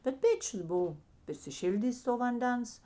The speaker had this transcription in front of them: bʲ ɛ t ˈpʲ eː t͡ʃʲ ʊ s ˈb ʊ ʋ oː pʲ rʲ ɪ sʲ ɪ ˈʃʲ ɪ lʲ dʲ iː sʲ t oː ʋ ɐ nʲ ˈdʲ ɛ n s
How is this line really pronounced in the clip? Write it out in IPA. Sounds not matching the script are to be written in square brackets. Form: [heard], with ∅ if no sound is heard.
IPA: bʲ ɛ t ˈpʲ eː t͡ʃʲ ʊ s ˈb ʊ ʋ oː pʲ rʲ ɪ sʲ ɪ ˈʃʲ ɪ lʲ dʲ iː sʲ t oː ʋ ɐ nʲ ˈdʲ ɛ n s